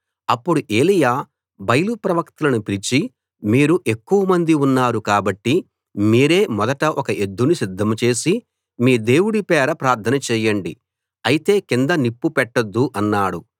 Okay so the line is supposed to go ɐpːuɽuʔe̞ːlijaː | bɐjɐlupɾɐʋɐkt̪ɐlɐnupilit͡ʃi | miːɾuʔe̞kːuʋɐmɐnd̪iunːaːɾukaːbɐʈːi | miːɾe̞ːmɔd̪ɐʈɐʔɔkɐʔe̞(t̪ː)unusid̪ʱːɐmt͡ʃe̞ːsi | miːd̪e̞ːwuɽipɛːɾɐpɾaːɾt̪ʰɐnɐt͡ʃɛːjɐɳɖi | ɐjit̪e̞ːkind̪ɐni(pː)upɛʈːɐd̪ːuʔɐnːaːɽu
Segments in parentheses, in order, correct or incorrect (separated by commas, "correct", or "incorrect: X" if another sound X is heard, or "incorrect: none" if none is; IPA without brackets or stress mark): incorrect: d̪ː, correct